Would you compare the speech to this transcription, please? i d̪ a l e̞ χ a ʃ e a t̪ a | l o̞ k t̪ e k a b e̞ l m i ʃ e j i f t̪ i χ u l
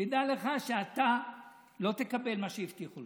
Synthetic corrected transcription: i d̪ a l e̞ χ a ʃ e a t̪ a | l o̞ t̪ e k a b e̞ l m a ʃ e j i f t̪ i χ u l